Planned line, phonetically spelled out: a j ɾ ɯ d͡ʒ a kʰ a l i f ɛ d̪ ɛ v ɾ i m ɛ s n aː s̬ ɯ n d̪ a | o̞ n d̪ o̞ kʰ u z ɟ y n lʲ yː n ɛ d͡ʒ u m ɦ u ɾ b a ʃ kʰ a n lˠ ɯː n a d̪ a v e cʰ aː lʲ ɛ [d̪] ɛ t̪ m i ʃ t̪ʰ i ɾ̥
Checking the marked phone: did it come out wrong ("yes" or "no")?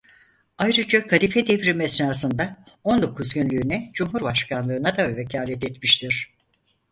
yes